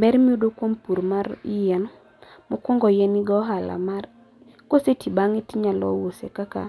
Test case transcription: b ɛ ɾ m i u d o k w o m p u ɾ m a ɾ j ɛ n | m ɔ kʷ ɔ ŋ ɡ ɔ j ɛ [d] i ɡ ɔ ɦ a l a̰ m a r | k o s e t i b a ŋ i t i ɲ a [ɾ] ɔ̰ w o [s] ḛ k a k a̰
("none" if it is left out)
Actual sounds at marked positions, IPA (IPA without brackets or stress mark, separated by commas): n, l, s